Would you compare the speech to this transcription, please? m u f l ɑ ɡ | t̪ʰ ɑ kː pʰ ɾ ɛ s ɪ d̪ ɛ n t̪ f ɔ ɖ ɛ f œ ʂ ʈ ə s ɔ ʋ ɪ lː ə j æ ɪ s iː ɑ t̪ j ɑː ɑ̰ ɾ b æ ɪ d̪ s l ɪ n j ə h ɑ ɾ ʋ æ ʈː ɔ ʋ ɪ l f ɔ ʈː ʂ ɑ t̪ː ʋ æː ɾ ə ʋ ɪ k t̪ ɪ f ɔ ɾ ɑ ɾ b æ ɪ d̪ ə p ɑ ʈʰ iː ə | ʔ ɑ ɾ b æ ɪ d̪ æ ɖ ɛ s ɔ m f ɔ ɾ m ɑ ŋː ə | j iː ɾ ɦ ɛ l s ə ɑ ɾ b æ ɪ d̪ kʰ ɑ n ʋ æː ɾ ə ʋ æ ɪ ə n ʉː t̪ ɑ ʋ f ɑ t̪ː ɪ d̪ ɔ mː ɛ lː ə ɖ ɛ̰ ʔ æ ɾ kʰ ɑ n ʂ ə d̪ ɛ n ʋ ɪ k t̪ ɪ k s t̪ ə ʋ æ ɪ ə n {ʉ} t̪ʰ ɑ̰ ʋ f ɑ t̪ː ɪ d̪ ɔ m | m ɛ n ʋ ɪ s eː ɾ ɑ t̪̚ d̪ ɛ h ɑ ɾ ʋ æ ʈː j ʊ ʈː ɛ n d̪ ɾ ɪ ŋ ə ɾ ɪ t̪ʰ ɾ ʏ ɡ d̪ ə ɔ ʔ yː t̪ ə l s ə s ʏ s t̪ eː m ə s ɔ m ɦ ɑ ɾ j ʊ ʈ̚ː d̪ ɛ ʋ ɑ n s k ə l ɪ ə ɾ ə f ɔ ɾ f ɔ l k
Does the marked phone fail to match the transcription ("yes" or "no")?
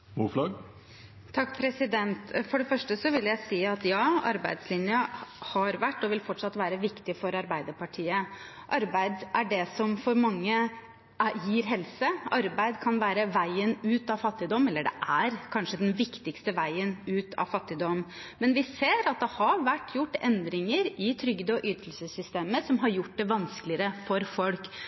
yes